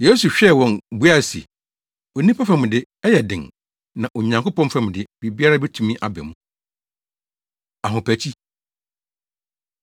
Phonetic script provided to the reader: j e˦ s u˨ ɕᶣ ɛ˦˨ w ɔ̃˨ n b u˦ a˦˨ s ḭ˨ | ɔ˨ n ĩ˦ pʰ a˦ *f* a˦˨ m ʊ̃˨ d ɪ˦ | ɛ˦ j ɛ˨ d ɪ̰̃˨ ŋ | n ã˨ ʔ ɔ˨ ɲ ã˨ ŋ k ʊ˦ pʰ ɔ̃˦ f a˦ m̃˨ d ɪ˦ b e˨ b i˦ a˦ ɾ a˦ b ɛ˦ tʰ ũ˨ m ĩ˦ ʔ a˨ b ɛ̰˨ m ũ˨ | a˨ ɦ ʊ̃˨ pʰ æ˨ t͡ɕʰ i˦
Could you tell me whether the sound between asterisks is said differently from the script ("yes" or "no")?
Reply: no